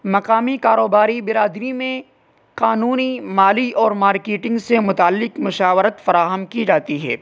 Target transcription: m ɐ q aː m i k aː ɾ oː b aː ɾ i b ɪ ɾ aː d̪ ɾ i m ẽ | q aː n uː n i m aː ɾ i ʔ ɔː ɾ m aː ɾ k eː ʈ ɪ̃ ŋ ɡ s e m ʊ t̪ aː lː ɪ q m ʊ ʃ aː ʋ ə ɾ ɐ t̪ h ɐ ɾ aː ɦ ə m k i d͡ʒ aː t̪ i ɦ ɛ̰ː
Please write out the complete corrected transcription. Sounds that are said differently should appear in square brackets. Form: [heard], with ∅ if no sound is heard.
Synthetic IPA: m ɐ q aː m i k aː ɾ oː b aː ɾ i b ɪ ɾ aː d̪ ɾ i m ẽ | q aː n uː n i m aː [l] i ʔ ɔː ɾ m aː ɾ k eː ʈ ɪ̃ ŋ ɡ s e m ʊ t̪ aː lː ɪ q m ʊ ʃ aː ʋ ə ɾ [ə] t̪ [f] ɐ ɾ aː ɦ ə m k i d͡ʒ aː t̪ i ɦ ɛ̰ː